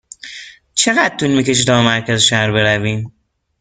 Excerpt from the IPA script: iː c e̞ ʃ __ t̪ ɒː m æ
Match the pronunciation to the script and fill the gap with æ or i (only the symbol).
i